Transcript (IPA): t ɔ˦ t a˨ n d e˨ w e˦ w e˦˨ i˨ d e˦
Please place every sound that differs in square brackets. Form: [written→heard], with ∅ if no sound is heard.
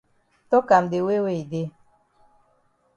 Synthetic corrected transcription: t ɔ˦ [t→k] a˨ [n→m] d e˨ w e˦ w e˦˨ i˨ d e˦

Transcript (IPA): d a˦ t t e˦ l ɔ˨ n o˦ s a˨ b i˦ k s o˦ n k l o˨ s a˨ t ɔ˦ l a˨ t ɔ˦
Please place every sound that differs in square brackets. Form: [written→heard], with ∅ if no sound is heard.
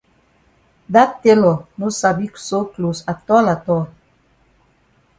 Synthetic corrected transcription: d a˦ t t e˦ l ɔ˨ n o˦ s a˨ b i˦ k s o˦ [n→∅] k l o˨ s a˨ t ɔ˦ l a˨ t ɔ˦

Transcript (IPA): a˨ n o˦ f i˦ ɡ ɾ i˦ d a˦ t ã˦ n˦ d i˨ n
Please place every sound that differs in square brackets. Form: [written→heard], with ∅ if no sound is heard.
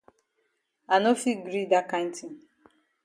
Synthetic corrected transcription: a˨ n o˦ f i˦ ɡ ɾ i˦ d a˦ [t→k] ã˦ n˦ [d→t] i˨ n

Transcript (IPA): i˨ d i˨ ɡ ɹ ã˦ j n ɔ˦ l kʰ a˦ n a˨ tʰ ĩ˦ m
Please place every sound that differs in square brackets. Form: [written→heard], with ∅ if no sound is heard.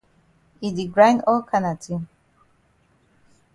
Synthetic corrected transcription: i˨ d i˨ ɡ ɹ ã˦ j n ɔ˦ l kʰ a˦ n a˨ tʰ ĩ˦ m

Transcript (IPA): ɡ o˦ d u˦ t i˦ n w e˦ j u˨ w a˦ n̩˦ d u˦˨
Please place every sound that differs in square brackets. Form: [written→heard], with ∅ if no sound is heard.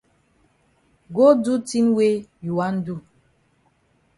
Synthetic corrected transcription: ɡ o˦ d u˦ t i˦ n w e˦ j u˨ w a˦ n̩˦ d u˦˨

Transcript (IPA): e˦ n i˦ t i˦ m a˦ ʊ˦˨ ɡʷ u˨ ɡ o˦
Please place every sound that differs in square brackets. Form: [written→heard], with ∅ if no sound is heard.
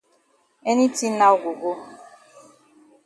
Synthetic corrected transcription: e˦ n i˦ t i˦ [m→n] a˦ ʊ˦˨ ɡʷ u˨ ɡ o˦

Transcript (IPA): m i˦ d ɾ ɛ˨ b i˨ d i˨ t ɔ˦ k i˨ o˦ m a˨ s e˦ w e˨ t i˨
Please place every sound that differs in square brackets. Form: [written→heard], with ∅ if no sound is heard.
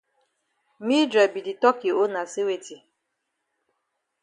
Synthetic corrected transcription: m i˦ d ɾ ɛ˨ b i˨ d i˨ t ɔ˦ k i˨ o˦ [m→n] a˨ s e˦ w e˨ t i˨

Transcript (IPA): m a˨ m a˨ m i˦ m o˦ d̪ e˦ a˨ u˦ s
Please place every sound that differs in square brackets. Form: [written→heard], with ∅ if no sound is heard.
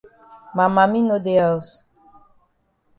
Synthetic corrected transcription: m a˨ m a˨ m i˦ [m→n] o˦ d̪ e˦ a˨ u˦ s

